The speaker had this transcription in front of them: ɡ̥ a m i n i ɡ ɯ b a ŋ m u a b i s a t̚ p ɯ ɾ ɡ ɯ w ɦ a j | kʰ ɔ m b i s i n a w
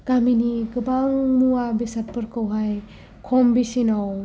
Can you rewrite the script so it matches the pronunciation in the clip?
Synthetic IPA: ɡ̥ a m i n i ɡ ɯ b a ŋ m u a b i s a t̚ p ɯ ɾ k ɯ w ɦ a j | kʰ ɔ m b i s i n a w